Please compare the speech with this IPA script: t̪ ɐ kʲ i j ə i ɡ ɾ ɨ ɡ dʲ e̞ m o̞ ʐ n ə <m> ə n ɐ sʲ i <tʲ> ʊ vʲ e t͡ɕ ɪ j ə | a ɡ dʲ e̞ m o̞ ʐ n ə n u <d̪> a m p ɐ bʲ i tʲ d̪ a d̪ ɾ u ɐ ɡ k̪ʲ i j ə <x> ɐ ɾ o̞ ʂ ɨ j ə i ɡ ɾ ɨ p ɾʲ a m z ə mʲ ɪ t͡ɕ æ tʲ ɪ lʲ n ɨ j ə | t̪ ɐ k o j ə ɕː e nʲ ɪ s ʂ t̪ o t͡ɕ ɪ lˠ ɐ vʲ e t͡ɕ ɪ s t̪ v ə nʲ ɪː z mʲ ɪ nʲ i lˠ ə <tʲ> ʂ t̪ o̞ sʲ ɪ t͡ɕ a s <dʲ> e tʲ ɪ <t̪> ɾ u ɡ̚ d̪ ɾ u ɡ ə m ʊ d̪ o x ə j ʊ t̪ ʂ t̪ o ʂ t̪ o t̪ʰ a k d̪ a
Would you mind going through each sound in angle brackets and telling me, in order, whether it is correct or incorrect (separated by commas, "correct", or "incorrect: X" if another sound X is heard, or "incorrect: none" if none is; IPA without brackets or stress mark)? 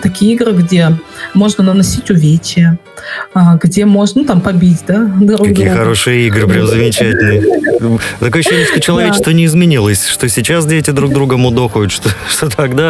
incorrect: n, correct, incorrect: t̪, correct, incorrect: sʲ, correct, incorrect: d̪